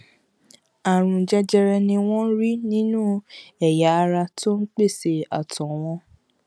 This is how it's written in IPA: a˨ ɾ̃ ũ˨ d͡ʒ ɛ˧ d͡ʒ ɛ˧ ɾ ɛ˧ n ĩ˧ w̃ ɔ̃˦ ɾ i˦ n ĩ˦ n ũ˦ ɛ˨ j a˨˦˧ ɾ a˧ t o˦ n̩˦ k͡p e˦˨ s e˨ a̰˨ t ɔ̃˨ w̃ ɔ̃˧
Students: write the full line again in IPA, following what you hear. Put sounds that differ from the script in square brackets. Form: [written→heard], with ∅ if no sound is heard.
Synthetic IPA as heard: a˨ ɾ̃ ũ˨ d͡ʒ ɛ˧ d͡ʒ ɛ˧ ɾ ɛ˧ n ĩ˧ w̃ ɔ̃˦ ɾ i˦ n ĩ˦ n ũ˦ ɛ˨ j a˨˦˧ ɾ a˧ t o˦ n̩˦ k͡p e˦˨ s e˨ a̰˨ t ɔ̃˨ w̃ ɔ̃˧